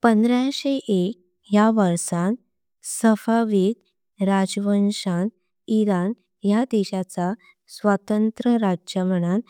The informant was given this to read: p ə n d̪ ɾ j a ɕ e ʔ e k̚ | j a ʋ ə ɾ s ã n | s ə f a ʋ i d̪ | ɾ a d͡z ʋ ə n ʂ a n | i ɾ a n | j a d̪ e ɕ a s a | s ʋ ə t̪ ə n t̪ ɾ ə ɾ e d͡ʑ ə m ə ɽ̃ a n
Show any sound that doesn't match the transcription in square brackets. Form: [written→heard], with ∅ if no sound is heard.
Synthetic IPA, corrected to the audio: p ə n d̪ ɾ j a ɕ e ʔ e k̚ | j a ʋ ə ɾ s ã n | s ə f a ʋ i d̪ | ɾ a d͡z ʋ ə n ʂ a n | i ɾ a n | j a d̪ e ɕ a [s→t͡s] a | s ʋ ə t̪ ə n t̪ ɾ ə ɾ [e→a] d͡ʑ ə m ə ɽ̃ a n